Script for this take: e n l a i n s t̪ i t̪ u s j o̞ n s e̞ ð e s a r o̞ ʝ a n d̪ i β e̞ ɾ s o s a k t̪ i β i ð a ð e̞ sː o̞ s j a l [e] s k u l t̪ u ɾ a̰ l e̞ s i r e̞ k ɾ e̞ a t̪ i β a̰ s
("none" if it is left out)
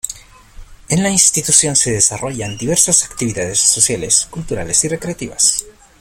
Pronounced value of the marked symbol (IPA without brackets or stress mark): e